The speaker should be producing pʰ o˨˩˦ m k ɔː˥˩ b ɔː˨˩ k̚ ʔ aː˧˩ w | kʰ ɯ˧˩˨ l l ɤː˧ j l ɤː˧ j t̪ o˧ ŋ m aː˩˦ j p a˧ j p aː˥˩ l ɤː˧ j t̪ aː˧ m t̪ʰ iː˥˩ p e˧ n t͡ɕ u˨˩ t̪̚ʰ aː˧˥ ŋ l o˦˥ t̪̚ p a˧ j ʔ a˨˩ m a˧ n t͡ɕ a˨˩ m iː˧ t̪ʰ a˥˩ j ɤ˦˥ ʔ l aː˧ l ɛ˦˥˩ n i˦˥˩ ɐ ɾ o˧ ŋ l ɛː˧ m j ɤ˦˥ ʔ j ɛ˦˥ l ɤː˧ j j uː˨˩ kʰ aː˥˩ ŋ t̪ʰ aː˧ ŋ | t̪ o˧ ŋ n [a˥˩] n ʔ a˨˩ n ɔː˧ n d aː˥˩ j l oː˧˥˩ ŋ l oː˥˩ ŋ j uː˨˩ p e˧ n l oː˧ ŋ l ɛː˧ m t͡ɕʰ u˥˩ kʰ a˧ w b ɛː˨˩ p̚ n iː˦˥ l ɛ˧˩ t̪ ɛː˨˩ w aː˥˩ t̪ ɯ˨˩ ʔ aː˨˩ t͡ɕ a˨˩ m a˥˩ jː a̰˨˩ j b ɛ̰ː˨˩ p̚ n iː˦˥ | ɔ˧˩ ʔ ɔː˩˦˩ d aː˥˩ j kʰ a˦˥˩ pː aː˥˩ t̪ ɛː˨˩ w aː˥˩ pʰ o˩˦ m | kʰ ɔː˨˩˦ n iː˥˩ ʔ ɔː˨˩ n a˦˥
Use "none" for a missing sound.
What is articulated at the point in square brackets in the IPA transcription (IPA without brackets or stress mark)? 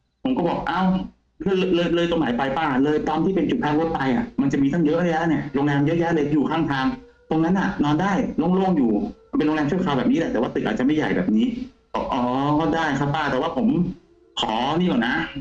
a˦˥